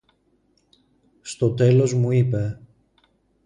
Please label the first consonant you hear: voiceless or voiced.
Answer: voiceless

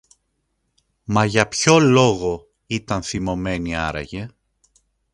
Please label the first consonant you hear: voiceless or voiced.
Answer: voiced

